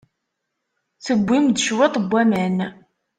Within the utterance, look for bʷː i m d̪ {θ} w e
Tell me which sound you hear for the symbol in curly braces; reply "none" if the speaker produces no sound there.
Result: ʃ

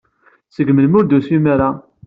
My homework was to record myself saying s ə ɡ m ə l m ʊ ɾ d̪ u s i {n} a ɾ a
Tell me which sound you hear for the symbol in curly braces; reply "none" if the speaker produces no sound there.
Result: m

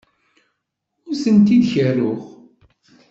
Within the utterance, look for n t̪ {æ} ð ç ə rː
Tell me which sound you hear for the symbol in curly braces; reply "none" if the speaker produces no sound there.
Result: i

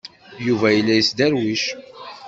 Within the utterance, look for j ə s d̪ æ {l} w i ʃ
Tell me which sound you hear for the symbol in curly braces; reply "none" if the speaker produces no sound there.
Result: ɾ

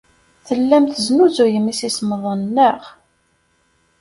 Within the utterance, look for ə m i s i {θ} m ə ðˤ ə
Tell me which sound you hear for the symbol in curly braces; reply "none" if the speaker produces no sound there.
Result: s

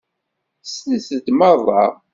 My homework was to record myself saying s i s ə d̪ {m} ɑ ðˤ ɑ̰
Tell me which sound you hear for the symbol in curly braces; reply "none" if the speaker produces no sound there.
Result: m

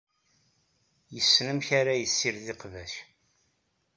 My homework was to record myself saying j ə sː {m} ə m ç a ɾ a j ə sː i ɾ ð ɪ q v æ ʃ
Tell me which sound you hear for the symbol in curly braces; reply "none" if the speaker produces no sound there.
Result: n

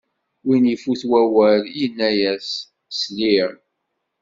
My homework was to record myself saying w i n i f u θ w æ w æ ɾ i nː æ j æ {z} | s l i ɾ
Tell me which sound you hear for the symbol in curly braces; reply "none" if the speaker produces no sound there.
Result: s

